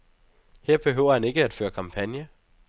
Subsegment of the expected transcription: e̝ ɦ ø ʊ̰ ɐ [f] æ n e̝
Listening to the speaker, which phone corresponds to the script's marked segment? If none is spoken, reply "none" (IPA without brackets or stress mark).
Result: h